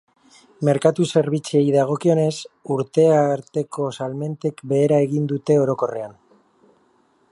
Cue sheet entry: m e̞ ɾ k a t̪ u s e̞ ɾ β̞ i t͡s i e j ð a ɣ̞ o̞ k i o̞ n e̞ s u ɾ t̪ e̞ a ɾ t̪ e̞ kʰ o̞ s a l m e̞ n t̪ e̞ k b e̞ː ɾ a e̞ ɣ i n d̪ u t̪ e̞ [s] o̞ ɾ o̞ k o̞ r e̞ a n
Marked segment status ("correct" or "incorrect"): incorrect